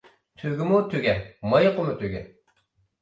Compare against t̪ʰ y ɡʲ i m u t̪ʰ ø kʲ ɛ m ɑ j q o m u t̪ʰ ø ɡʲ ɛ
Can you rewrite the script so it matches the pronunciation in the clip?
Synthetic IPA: t̪ʰ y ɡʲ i m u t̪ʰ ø ɡʲ ɛ m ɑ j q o m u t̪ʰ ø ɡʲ ɛ